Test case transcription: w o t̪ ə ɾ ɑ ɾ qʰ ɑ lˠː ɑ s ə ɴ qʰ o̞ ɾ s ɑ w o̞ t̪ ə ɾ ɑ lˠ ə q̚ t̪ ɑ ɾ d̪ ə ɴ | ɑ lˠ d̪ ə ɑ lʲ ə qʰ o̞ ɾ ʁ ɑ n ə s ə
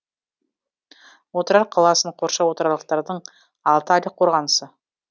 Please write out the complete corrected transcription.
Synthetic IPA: w o t̪ ə ɾ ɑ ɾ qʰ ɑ lˠ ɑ s ə ɴ qʰ o̞ ɾ ʃ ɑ w o̞ t̪ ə ɾ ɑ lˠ ə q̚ t̪ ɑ ɾ d̪ ə ɴ | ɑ lˠ t̪ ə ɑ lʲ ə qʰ o̞ ɾ ʁ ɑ n ə s ə

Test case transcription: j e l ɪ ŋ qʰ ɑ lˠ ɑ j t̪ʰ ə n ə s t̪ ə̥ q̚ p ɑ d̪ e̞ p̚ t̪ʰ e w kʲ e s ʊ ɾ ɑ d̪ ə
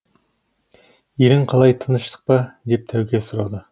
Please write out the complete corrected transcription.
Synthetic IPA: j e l ɪ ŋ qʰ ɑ lˠ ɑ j t̪ʰ ə n ə ʃ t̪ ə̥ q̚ p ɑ d̪ e̞ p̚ t̪ʰ æ w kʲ e s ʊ ɾ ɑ d̪ ə

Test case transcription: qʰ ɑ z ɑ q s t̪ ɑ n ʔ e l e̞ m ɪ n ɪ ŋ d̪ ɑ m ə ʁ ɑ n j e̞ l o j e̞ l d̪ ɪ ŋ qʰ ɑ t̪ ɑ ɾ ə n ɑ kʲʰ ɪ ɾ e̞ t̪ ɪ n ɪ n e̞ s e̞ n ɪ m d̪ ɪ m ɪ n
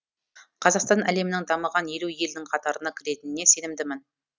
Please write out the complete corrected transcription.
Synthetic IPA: qʰ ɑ z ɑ q s t̪ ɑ n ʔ æ l e̞ m ɪ n ɪ ŋ d̪ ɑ m ə ʁ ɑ n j e̞ l u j e̞ l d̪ ɪ ŋ qʰ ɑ t̪ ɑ ɾ ə n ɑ kʲʰ ɪ ɾ e̞ t̪ ɪ n ɪ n e̞ s e̞ n ɪ m d̪ ɪ m ɪ n

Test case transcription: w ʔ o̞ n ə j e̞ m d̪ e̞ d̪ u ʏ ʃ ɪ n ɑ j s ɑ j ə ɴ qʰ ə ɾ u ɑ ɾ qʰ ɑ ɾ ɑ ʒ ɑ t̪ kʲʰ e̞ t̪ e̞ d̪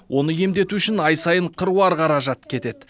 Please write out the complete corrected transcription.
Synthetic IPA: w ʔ o̞ n ə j e̞ m d̪ e̞ t̪ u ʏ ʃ ɪ n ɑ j s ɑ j ə ɴ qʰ ə ɾ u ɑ ɾ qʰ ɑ ɾ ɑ ʒ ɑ t̪ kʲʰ e̞ t̪ e̞ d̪

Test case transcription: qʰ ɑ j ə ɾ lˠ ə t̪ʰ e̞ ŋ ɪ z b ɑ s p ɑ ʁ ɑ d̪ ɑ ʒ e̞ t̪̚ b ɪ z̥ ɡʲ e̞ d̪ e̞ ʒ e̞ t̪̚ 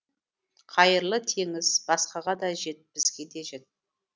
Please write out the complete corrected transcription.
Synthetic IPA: qʰ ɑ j ə ɾ lˠ ə t̪ʰ e̞ ŋ ɪ z b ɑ s q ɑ ʁ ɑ d̪ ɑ ʒ e̞ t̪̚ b ɪ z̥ ɡʲ e̞ d̪ e̞ ʒ e̞ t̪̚

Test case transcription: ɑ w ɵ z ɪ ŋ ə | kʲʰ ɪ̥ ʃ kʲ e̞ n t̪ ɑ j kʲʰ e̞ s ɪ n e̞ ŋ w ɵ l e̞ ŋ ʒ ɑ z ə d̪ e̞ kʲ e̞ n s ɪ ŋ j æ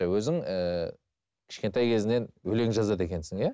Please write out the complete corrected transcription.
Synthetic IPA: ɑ w ɵ z ɪ ŋ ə | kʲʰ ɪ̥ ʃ kʲ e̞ n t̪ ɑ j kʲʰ e̞ z ɪ n e̞ n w ɵ l e̞ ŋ ʒ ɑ z ɑ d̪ e̞ kʲ e̞ n s ɪ ŋ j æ

